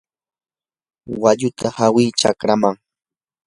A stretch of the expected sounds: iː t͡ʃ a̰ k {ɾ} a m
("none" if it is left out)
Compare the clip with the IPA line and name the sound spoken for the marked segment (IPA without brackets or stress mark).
ɾ